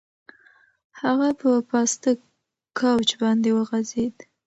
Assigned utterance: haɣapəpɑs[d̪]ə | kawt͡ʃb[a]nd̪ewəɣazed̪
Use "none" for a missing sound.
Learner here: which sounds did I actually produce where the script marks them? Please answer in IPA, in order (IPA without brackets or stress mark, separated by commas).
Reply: t̪, ɑ